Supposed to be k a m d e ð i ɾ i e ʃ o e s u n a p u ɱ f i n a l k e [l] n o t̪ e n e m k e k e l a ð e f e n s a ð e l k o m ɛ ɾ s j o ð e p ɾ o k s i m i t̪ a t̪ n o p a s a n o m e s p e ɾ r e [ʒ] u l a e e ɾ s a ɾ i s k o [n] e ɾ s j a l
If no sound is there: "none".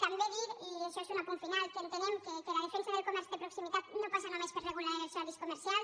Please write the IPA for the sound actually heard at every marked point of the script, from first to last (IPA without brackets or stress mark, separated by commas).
none, ɣ, m